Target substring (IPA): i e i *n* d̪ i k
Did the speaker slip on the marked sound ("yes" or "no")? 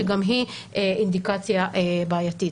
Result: no